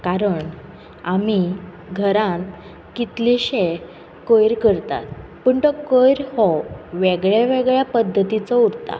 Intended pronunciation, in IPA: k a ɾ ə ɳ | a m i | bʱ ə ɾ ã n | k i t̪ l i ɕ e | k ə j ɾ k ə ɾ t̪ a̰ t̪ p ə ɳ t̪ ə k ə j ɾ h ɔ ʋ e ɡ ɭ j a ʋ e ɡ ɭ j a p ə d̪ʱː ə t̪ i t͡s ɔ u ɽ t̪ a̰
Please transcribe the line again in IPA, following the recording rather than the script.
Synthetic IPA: k a ɾ ə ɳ | a m i | ɡʱ ə ɾ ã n | k i t̪ l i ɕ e | k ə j ɾ k ə ɾ t̪ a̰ t̪ p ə ɳ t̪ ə k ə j ɾ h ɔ ʋ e ɡ ɭ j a ʋ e ɡ ɭ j a p ə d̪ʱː ə t̪ i t͡s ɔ u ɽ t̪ a̰

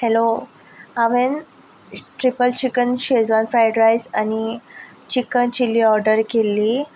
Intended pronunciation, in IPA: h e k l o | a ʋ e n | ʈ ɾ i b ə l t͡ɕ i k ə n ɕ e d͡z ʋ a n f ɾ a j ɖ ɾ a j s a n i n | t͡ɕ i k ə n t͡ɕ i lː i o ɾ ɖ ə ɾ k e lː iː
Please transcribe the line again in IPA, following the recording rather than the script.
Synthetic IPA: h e l o | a ʋ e n | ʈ ɾ i p ə l t͡ɕ i k ə n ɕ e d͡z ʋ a n f ɾ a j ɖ ɾ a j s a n i | t͡ɕ i k ə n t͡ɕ i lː i ɔ ɾ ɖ ə ɾ k e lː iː

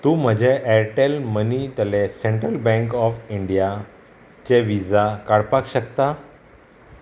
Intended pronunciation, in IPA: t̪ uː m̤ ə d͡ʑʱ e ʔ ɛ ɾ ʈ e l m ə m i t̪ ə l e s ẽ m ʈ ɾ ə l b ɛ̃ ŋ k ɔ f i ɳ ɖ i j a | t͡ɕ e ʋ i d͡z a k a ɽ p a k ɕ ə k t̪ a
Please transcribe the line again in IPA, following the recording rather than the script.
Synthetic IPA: t̪ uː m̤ ə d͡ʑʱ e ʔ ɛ ɾ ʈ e l m ə n i t̪ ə l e s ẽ ɳ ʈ ɾ ə l b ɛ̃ ŋ k ɔ f i ɳ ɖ i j a | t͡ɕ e ʋ i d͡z a k a ɽ p a k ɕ ə k t̪ a

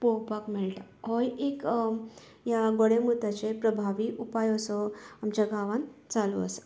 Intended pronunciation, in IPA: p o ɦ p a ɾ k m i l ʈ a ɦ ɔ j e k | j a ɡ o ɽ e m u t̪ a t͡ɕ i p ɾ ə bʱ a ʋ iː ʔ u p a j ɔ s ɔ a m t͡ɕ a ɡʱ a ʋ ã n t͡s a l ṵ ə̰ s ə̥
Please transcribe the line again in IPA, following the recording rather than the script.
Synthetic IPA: p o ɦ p a k m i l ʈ a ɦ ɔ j e k | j a ɡ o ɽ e m u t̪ a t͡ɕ e p ɾ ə bʱ a ʋ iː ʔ u p a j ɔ s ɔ a m t͡ɕ a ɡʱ a ʋ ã n t͡s a l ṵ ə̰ s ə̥

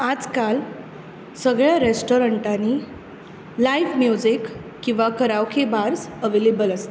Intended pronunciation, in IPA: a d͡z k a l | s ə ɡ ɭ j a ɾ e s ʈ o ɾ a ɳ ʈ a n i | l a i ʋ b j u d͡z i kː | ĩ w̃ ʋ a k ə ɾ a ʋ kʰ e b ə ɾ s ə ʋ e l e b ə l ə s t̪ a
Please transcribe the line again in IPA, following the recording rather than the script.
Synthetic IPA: a d͡z k a l | s ə ɡ ɭ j a ɾ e s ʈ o ɾ ə ɳ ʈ a n i | l a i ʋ m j u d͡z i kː | ĩ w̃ ʋ a k ə ɾ a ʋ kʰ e b a ɾ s ə ʋ e l e b ə l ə s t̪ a

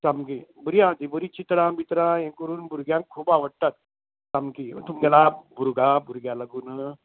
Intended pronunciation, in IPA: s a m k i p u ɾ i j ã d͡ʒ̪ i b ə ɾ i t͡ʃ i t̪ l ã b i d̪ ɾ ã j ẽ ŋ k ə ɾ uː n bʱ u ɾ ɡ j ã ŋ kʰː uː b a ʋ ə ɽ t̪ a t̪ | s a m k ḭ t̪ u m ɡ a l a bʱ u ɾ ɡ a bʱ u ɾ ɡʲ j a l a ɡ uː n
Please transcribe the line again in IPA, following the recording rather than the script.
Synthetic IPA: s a m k i b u ɾ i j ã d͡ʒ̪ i b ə ɾ i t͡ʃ i t̪ ɾ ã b i t̪ ɾ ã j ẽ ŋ k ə ɾ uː n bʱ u ɾ ɡ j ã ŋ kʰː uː b a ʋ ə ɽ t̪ a t̪ | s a m k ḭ t̪ u m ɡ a l a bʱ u ɾ ɡ a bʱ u ɾ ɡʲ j a l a ɡ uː n

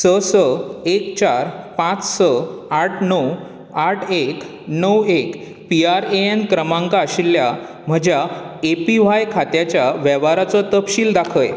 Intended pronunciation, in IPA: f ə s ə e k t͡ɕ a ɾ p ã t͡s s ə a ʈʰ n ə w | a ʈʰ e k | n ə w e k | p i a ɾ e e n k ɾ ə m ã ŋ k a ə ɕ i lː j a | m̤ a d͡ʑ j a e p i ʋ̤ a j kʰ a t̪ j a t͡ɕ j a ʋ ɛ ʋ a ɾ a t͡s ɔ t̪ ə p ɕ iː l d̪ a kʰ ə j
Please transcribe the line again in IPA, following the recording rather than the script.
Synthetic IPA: s ə s ə e k t͡ɕ a ɾ p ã t͡s s ə a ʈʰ n ə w | a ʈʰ e k | n ə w e k | p i a ɾ e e n k ɾ ə m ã ŋ k a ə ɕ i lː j a | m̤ ə d͡ʑ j a e p i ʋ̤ a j kʰ a t̪ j a t͡ɕ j a ʋ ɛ ʋ a ɾ a t͡s ɔ t̪ ə p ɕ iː l d̪ a kʰ ə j

